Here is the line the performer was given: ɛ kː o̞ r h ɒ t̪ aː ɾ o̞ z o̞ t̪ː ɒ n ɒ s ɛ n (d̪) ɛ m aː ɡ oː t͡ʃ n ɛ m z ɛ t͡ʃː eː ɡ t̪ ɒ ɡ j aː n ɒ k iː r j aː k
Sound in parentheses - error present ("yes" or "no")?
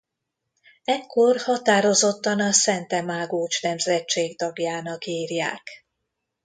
yes